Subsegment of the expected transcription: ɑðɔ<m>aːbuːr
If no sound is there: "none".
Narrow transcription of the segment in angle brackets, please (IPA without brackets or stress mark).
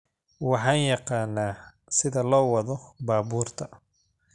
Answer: b